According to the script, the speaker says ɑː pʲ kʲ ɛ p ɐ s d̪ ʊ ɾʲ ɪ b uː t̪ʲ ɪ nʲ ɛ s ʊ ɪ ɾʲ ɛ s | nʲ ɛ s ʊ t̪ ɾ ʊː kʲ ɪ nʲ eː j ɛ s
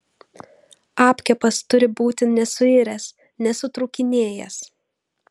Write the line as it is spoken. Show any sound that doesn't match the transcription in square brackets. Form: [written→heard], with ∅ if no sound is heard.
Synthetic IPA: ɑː pʲ kʲ ɛ p ɐ s [d̪→t̪] ʊ ɾʲ ɪ b uː t̪ʲ ɪ nʲ ɛ s ʊ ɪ ɾʲ ɛ s | nʲ ɛ s ʊ t̪ ɾ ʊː kʲ ɪ nʲ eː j ɛ s